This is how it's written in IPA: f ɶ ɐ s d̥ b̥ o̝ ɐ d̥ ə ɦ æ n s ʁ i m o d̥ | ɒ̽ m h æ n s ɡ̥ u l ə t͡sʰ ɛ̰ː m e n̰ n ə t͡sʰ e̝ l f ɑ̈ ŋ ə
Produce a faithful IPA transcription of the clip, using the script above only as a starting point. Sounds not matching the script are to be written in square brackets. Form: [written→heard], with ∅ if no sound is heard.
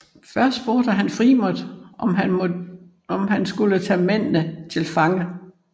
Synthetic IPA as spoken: f ɶ ɐ s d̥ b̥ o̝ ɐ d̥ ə ɦ æ n [s→f] ʁ i m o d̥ | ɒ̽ m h æ n s ɡ̥ u l ə t͡sʰ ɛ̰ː m e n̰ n ə t͡sʰ e̝ l f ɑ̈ ŋ ə